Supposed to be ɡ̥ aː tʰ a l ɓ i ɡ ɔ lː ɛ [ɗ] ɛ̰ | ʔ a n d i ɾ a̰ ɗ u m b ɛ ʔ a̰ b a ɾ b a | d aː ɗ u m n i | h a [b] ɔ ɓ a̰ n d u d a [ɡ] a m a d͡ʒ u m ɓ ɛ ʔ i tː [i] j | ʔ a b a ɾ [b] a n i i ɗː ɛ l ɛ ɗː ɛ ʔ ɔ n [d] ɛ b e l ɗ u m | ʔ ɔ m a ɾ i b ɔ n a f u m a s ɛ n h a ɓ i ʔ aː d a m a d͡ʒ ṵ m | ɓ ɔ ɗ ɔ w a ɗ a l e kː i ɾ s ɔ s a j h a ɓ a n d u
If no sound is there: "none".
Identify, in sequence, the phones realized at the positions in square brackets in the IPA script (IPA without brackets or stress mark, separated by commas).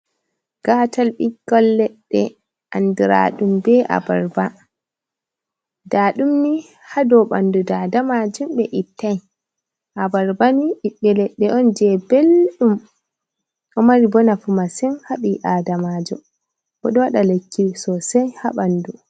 ɗː, d, d, a, b, d͡ʒ